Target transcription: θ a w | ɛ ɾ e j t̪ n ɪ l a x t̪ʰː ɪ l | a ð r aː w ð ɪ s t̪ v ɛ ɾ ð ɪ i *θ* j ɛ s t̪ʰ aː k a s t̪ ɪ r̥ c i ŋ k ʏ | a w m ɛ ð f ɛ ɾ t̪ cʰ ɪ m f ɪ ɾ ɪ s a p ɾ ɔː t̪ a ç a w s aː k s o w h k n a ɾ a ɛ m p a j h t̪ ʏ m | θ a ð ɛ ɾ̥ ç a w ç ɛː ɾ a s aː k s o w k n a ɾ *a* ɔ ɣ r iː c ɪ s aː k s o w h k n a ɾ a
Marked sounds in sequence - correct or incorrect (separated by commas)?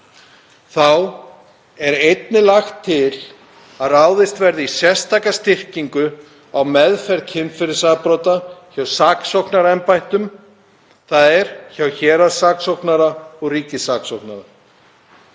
incorrect, correct